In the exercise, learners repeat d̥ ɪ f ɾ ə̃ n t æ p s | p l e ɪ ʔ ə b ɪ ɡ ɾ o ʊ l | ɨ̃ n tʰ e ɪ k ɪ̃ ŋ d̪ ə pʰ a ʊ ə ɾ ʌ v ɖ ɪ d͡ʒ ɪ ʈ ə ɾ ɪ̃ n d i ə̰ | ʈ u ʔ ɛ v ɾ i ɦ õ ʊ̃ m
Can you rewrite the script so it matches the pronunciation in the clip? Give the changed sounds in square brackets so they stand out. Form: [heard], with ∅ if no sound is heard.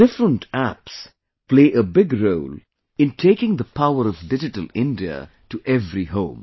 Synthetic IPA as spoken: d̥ ɪ f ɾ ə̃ n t æ p s | p l e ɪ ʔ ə b ɪ ɡ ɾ o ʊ l | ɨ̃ n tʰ e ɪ k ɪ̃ ŋ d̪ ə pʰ a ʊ ə ɾ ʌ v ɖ ɪ d͡ʒ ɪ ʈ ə [l] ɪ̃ n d i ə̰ | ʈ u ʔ ɛ v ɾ i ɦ õ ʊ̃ m